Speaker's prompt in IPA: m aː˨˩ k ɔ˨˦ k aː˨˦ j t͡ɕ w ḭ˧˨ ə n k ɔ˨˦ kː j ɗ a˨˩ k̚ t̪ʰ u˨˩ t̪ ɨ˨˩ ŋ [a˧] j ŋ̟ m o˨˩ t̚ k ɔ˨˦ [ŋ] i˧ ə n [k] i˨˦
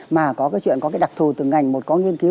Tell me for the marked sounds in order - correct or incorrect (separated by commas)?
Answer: incorrect, correct, correct